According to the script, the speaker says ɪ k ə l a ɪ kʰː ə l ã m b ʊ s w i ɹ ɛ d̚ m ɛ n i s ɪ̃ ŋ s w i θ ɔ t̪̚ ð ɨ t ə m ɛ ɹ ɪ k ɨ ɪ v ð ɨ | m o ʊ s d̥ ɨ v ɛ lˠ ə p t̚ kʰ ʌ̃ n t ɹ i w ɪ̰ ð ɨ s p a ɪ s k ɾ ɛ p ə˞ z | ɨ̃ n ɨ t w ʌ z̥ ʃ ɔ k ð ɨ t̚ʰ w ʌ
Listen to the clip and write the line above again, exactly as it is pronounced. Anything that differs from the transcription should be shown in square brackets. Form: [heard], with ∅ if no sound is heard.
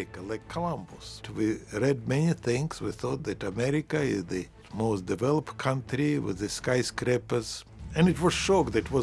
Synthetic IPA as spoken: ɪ k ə l a ɪ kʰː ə l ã m b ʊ s w i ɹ ɛ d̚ m ɛ n i [θ] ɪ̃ ŋ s w i θ ɔ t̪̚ ð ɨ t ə m ɛ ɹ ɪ k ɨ ɪ [z] ð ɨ | m o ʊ s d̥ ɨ v ɛ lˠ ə p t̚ kʰ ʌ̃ n t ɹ i w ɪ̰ ð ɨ s [k] a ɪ s k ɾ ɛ p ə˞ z | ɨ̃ n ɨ t w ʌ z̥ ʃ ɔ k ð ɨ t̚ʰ w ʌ